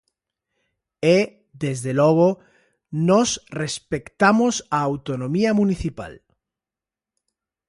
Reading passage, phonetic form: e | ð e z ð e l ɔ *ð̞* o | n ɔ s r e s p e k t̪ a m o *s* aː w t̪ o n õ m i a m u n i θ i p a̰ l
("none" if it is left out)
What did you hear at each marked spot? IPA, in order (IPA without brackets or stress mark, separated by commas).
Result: ɣ̞, s